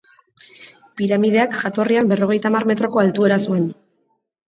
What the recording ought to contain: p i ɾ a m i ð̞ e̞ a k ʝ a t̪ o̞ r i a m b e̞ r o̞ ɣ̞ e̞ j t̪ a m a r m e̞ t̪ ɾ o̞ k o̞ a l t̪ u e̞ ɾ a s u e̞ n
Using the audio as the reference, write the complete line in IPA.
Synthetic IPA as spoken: p i ɾ a m i ð̞ e̞ a k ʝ a t̪ o̞ r i a m b e̞ r o̞ ɣ̞ e̞ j t̪ a m a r m e̞ t̪ ɾ o̞ k o̞ a l t̪ u e̞ ɾ a s u e̞ n